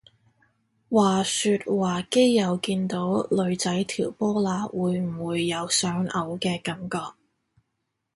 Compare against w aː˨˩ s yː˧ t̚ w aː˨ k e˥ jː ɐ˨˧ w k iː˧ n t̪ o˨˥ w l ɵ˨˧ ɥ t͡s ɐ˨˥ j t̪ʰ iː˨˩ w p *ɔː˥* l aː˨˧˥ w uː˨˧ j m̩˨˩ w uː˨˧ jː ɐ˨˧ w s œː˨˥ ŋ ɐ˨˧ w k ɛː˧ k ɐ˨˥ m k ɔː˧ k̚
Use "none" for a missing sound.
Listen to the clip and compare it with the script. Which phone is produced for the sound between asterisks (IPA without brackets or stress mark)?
ɔː˥